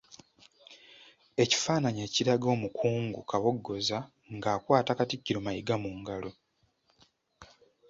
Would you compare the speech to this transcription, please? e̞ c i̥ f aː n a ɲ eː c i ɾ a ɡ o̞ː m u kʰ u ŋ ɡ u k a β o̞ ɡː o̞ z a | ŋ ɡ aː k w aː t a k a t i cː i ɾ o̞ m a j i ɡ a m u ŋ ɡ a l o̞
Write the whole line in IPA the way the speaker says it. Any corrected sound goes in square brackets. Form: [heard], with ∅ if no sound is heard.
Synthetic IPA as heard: e̞ c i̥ f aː n a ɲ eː c i ɾ a ɡ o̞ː m u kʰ [uː] ŋ ɡ u k a β o̞ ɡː o̞ z a | ŋ ɡ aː k w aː t a k a t i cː i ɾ o̞ m a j i ɡ a m u ŋ ɡ a l o̞